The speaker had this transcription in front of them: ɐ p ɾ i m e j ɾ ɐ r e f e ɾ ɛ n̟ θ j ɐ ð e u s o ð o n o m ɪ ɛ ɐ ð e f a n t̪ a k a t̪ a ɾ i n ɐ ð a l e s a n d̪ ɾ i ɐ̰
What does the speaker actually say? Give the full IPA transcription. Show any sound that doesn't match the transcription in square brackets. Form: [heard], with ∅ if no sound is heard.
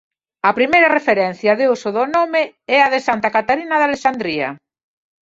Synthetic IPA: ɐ p ɾ i m e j ɾ ɐ r e f e ɾ ɛ n̟ θ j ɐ ð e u s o ð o n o m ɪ ɛ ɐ ð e [s] a n t̪ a k a t̪ a ɾ i n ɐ ð a l e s a n d̪ ɾ i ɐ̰

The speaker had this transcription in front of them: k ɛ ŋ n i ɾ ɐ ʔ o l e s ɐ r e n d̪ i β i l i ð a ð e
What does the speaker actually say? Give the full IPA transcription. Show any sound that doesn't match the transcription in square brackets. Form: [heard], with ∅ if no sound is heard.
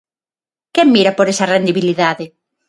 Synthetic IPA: k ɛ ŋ [m] i ɾ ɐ [p] o [ɾ] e s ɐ r e n d̪ i β i l i ð a ð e

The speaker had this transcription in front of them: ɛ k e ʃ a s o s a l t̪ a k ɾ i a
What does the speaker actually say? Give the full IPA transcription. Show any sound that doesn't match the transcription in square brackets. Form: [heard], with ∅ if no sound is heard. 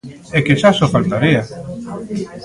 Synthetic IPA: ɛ k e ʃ a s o [f] a l t̪ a [∅] ɾ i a

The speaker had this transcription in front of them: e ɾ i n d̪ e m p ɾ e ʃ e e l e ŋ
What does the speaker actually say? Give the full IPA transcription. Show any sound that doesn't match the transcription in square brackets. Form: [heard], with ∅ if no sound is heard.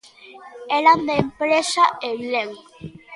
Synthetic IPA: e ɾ [a] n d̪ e m p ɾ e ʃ [a] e l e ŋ

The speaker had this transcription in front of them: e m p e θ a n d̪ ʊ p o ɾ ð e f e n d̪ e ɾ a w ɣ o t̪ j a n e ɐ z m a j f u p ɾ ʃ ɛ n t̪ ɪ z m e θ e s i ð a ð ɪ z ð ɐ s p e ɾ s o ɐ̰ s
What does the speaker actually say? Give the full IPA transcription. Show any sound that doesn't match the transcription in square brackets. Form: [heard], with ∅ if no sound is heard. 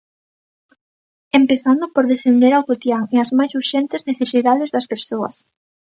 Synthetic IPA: e m p e θ a n d̪ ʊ p o ɾ ð e f e n d̪ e ɾ a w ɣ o t̪ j a [ŋ] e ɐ z m a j [s] u [∅] ɾ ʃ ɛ n t̪ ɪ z [n] e θ e s i ð a ð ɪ z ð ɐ s p e ɾ s o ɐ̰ s

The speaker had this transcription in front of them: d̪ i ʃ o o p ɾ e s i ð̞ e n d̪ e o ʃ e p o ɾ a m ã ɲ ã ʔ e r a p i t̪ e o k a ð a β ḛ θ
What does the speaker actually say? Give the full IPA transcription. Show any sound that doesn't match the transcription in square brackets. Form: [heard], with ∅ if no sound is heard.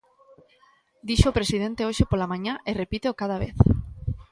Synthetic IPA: d̪ i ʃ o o p ɾ e s i ð̞ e n [t̪] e o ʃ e p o [l] a m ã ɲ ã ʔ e r [e] p i t̪ e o k a ð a β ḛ θ

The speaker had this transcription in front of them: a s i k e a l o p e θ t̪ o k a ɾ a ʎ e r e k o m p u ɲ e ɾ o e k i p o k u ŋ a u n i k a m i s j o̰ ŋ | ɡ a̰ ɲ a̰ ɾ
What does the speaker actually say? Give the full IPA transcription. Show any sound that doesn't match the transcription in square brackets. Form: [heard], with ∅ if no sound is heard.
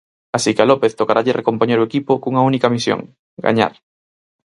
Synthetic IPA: a s i k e a l o p e θ t̪ o k a ɾ a ʎ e r e k o m p [o] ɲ e ɾ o e k i p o k u ŋ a u n i k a m i s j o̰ ŋ | ɡ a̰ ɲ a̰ ɾ

